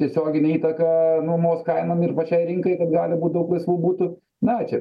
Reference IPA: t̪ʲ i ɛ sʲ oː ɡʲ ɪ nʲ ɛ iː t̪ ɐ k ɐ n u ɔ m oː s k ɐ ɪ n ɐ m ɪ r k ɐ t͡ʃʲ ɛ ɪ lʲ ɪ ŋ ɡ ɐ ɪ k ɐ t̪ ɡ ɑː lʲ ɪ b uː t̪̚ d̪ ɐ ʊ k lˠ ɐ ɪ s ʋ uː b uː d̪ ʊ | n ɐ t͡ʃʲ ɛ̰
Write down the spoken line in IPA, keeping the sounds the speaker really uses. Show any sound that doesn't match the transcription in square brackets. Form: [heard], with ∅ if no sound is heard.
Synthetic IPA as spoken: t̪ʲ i ɛ sʲ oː ɡʲ ɪ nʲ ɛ iː t̪ ɐ k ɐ n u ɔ m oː s k ɐ ɪ n ɐ m ɪ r [p] ɐ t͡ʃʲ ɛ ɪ [ɾʲ] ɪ ŋ [k] ɐ ɪ k ɐ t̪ ɡ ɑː lʲ ɪ b uː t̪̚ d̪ ɐ ʊ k lˠ ɐ ɪ s ʋ uː b uː [t̪] ʊ | n ɐ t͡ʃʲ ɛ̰

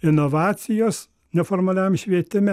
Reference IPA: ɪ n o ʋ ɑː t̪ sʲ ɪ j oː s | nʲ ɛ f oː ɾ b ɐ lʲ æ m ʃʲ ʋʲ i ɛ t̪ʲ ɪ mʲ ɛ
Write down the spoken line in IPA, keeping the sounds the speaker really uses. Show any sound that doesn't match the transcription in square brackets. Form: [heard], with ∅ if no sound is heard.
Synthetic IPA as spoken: ɪ n o ʋ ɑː t̪ sʲ ɪ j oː s | nʲ ɛ f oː ɾ [m] ɐ lʲ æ m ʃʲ ʋʲ i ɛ t̪ʲ ɪ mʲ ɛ

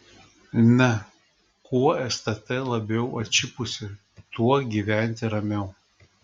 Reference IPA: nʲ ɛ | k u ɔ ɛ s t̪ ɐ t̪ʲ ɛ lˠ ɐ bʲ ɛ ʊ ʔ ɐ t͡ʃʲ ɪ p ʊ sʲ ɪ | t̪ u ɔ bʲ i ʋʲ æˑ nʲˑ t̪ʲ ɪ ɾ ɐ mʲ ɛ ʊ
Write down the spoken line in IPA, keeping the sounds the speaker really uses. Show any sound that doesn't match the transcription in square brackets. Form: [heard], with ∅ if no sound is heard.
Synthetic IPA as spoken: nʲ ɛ | k u ɔ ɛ s t̪ ɐ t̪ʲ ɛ lˠ ɐ bʲ ɛ ʊ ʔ ɐ t͡ʃʲ ɪ p ʊ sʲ ɪ | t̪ u ɔ [ɡʲ] i ʋʲ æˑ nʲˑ t̪ʲ ɪ ɾ ɐ mʲ ɛ ʊ

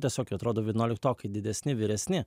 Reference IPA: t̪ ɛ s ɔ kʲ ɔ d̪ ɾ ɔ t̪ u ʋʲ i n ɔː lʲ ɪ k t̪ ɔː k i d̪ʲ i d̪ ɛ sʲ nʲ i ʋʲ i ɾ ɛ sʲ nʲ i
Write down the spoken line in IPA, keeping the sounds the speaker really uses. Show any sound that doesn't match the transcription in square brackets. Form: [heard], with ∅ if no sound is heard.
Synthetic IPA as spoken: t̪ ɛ s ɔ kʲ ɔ [t̪] ɾ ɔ [d̪] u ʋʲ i n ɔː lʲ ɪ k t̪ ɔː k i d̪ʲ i d̪ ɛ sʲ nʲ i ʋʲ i ɾ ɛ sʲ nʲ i

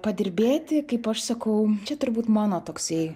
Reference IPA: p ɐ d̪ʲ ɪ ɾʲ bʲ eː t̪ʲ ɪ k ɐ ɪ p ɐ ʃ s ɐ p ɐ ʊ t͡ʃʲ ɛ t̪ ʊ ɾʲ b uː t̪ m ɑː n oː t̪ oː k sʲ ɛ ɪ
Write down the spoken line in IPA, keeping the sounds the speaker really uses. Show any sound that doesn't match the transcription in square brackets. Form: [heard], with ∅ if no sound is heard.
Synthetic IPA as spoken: p ɐ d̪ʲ ɪ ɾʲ bʲ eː t̪ʲ ɪ k ɐ ɪ p ɐ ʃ s ɐ [k] ɐ ʊ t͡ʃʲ ɛ t̪ ʊ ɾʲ b uː t̪ m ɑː n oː t̪ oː k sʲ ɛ ɪ

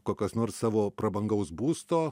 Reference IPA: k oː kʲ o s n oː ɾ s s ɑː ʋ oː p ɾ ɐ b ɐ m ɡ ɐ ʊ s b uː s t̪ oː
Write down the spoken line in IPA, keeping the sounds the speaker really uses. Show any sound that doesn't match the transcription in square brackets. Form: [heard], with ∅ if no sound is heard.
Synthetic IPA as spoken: k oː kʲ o s n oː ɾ s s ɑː ʋ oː p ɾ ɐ b ɐ [ŋ] ɡ ɐ ʊ s b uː s t̪ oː

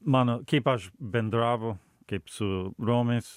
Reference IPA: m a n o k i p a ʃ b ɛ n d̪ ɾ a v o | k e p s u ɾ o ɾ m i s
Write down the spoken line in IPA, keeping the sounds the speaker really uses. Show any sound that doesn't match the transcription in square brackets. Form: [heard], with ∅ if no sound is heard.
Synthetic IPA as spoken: m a n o k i p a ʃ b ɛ n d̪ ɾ a v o | k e p s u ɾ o [∅] m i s

